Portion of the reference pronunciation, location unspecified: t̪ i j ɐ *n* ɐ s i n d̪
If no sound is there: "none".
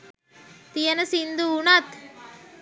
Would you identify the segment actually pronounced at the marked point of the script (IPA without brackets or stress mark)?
n